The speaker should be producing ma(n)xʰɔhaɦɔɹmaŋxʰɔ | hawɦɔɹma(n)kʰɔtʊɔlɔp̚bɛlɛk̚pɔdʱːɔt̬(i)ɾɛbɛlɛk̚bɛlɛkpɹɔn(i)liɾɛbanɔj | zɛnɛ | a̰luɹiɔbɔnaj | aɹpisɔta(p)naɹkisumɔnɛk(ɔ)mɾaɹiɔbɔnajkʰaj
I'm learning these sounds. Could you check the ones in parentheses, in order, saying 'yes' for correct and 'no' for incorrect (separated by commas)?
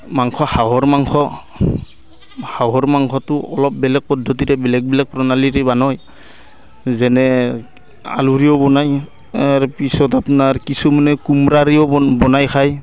no, no, yes, no, yes, no